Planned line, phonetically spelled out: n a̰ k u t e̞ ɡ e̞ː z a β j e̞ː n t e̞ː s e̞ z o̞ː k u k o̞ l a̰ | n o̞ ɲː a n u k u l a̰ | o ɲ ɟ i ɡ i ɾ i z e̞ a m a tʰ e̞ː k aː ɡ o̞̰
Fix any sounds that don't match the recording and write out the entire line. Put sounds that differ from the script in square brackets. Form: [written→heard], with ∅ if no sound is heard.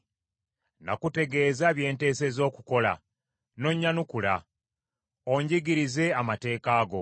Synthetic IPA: n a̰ k u t e̞ ɡ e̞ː z a β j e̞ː n t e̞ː s e̞ z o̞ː k u k o̞ l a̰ | n o̞ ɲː a n u k u l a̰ | o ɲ ɟ i ɡ i ɾ i z e̞ a m a [tʰ→t] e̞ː k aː ɡ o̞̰